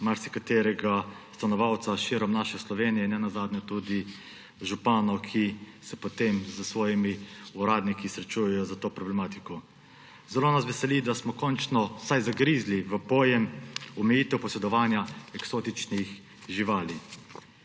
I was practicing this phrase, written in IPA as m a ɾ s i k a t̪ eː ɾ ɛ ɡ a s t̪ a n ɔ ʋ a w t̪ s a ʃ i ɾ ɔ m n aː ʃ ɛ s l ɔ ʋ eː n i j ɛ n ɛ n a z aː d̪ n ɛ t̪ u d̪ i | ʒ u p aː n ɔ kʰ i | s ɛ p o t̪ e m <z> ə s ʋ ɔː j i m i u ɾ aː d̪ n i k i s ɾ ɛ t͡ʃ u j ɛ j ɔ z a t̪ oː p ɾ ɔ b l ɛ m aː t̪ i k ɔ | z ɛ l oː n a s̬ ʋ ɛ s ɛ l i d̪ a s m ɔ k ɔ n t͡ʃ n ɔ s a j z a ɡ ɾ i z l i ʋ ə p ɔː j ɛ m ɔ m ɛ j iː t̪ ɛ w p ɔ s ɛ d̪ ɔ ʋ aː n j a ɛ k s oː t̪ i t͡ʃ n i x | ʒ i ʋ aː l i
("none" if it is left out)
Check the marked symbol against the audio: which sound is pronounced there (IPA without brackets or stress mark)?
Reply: z